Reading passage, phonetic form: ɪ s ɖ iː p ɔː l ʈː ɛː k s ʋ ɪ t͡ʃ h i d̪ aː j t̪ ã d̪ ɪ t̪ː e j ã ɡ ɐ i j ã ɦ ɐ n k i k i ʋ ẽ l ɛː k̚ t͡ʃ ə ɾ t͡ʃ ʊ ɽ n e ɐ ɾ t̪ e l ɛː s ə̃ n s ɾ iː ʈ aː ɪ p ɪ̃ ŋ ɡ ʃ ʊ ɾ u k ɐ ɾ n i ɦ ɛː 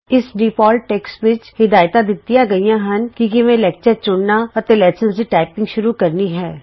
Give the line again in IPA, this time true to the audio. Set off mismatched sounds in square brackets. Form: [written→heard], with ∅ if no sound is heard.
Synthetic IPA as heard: ɪ s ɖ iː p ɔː l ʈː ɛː k s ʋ ɪ t͡ʃ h [i→ɪ] d̪ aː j t̪ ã d̪ ɪ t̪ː [e→i] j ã ɡ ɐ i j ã ɦ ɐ n k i k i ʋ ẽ l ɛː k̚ t͡ʃ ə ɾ t͡ʃ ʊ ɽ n [e→a] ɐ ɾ t̪ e l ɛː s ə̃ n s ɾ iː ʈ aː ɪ p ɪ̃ ŋ ɡ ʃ ʊ ɾ u k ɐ ɾ n i ɦ ɛː